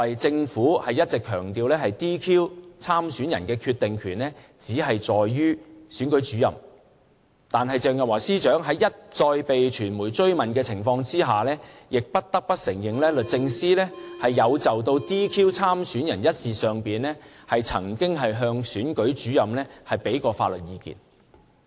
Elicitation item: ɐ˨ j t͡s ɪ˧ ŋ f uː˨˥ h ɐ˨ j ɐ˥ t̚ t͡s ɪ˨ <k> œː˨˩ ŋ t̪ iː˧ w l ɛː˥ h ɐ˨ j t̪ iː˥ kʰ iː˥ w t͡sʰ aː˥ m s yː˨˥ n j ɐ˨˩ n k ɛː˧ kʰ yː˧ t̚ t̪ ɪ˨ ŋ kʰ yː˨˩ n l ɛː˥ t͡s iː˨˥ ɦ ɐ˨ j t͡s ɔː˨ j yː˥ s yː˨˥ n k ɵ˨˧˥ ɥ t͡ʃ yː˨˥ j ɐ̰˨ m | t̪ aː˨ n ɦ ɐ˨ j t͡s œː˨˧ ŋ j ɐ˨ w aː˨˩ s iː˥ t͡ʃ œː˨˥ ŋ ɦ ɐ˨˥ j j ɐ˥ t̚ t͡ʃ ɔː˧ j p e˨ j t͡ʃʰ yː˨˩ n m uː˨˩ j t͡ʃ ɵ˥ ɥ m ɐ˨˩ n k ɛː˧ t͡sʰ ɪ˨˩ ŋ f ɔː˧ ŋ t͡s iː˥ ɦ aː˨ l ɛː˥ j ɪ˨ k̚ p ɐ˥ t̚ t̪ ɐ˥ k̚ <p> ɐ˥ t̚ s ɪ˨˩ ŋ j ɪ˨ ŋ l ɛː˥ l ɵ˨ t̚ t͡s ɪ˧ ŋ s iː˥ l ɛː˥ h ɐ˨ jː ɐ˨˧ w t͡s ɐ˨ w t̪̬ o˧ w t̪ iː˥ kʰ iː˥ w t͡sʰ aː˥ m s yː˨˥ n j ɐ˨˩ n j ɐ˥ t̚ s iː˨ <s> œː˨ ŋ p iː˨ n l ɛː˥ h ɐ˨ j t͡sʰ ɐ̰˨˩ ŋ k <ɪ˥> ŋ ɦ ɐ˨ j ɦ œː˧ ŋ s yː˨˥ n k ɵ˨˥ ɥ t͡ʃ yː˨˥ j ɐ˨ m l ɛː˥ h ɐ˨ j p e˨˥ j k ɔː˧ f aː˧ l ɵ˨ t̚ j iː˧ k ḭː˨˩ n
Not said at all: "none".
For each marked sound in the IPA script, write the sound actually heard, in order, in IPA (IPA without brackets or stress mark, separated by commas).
kʰ, p, s, ɪ˥